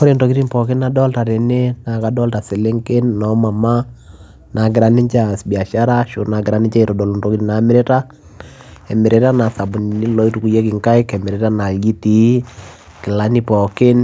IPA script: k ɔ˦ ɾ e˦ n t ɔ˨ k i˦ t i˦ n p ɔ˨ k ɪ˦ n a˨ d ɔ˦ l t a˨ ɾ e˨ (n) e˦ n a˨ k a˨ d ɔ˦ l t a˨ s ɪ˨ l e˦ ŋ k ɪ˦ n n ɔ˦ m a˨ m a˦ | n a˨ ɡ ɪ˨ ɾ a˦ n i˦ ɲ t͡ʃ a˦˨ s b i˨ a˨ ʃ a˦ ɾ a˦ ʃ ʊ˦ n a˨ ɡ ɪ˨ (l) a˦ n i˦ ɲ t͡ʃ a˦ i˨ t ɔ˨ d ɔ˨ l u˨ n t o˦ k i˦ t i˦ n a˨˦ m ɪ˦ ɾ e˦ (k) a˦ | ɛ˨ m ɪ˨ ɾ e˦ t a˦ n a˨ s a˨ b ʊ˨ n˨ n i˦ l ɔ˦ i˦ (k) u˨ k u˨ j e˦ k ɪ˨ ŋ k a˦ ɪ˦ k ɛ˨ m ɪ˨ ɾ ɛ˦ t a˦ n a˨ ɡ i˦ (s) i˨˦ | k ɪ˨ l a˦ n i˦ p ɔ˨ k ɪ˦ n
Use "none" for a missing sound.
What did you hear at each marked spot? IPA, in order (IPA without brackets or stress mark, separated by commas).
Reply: n, ɾ, t, t, t